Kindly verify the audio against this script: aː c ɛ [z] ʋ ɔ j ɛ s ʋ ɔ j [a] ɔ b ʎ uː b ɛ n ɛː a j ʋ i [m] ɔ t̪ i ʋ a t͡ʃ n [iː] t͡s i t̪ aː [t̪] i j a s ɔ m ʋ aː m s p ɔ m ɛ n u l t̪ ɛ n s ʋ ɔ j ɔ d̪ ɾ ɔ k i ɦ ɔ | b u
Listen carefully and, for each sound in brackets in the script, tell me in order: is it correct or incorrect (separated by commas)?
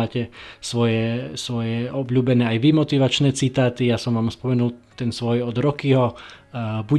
incorrect, incorrect, correct, incorrect, correct